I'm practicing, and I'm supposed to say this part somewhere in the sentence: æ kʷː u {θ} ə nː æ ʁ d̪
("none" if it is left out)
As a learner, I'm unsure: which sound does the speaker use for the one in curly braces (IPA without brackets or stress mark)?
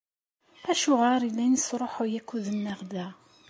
ð